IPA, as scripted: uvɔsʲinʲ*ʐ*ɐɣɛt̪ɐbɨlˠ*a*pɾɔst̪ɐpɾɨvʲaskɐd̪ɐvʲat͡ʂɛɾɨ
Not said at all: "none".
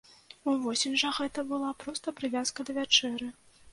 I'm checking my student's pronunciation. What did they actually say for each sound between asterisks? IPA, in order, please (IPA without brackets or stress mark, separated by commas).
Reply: ʐ, a